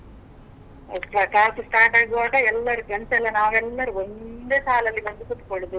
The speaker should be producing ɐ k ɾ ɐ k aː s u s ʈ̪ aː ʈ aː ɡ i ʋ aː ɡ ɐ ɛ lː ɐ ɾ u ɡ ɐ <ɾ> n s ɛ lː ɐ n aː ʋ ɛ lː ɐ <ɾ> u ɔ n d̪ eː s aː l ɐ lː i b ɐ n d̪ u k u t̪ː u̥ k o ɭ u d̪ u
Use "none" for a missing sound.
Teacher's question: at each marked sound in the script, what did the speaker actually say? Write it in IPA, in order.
none, ɾ

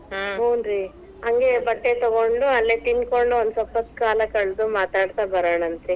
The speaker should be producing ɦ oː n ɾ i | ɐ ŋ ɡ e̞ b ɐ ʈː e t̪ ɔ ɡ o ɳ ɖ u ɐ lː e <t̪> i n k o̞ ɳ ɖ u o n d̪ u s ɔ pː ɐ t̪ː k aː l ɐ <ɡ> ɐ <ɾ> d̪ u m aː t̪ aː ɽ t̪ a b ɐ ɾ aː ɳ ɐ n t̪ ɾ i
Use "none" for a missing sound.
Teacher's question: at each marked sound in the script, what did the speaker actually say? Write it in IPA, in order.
t̪, k, ɭ

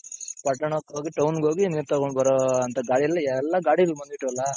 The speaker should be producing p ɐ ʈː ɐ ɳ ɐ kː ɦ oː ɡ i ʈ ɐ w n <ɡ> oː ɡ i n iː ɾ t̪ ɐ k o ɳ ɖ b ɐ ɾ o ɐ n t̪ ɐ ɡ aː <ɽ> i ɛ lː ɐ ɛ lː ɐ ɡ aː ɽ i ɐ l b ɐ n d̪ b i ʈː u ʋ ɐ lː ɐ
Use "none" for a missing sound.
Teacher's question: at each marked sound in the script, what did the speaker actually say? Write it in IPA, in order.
ɡ, ɽ

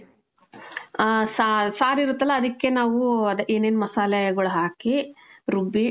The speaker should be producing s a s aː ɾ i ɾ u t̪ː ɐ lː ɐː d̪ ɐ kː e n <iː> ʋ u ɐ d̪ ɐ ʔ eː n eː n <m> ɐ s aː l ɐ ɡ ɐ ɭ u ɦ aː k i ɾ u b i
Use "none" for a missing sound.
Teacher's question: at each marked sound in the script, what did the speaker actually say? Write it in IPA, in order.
aː, m

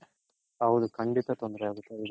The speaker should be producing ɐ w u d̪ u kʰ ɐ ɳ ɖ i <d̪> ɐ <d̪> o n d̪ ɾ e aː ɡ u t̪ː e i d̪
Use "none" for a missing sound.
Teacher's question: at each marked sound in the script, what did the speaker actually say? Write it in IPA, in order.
t̪, t̪

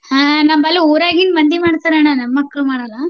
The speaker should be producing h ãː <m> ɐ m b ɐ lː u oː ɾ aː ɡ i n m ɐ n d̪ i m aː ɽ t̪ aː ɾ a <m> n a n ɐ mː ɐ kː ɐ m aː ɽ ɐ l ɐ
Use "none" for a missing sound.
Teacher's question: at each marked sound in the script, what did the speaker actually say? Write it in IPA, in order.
n, none

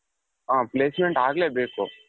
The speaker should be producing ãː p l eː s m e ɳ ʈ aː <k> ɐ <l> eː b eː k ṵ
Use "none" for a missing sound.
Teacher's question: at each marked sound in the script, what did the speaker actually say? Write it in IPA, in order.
ɡ, l

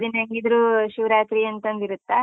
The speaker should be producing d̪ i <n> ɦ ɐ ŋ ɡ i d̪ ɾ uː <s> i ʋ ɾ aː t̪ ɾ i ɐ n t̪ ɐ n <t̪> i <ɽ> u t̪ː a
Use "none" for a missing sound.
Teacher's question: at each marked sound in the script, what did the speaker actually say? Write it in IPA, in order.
n, ʃ, d̪, ɾ

